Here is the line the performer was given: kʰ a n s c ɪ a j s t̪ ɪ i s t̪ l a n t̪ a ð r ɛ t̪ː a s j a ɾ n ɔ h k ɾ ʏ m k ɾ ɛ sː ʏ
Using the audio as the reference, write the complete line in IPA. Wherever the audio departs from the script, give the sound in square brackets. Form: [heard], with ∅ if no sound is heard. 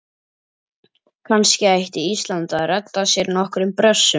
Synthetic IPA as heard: kʰ a n s c ɪ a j [h] t̪ ɪ i s t̪ l a n t̪ a ð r ɛ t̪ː a s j [ɛ] ɾ n ɔ h k ɾ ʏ m [p] ɾ [œ] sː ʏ